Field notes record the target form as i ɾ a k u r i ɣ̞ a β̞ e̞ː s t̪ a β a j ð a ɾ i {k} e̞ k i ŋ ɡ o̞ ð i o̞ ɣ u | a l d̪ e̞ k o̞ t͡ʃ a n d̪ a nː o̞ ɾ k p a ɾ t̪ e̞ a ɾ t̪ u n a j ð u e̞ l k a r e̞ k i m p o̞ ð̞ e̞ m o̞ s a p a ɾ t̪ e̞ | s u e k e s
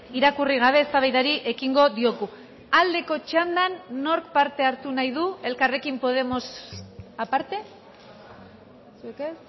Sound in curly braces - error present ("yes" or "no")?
yes